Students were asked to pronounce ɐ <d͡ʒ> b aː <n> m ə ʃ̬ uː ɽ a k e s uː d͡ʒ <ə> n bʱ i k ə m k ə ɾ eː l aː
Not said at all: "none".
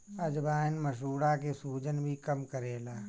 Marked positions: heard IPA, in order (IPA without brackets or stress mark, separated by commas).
d͡ʒ, n, ə